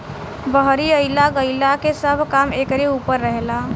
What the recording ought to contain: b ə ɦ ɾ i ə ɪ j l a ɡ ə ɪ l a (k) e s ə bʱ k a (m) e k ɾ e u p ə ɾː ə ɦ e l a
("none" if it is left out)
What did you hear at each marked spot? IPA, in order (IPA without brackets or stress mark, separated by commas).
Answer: k, m